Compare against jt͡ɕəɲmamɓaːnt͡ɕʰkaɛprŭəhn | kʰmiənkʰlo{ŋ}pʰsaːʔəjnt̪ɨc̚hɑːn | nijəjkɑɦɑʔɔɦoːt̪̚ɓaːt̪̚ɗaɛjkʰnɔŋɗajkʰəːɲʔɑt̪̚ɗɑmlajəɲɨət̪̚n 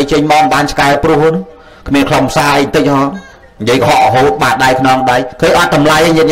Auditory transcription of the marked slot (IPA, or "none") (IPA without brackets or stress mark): m